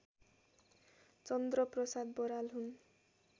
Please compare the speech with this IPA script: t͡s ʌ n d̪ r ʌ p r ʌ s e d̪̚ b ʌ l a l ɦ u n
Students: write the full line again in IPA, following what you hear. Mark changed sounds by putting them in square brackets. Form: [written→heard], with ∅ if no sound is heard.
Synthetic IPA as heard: t͡s ʌ n d̪ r ʌ p r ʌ s [e→a] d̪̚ b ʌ [l→ɾ] a l ɦ u n